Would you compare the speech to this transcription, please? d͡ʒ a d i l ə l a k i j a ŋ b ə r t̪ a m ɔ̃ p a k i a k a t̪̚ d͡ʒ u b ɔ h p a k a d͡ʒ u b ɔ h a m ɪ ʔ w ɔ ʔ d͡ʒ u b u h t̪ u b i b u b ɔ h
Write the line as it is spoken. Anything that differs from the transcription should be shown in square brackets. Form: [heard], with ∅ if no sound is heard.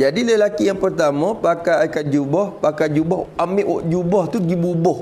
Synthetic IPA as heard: d͡ʒ a d i l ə l a k i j a ŋ [p] ə r t̪ a m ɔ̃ p a k [a] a k a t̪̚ d͡ʒ u b ɔ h p a k a d͡ʒ u b ɔ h a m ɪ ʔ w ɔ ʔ d͡ʒ u b [ɔ] h t̪ u [ɡ] i b u b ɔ h